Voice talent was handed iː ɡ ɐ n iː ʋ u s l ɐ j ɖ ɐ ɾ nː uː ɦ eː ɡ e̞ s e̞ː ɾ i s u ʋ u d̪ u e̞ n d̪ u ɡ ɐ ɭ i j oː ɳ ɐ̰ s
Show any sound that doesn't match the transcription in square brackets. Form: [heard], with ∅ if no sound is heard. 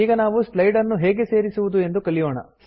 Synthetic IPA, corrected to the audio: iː ɡ ɐ n [aː] ʋ u s l ɐ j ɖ ɐ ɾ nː [u] ɦ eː ɡ e̞ s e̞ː ɾ i s u ʋ u d̪ u e̞ n d̪ u [k] ɐ ɭ i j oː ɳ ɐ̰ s